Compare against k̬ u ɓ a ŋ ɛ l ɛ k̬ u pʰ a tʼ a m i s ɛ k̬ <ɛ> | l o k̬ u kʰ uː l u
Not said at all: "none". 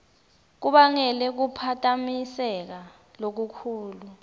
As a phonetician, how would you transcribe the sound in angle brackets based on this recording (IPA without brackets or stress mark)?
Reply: a